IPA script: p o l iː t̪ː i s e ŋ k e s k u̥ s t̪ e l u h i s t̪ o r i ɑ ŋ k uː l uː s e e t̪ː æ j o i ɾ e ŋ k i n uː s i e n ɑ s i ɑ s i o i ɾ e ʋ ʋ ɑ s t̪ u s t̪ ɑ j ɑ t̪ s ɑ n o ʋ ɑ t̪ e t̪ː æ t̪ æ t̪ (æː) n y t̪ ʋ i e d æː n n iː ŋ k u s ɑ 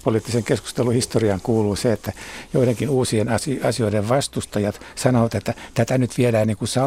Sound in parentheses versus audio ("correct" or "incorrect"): incorrect